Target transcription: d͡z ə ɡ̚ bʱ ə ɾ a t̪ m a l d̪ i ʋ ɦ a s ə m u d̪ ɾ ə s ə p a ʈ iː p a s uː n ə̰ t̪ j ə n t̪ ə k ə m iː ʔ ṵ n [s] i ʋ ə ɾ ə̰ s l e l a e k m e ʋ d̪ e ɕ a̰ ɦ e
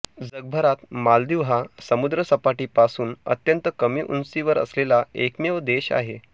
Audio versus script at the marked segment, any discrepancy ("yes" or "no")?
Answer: no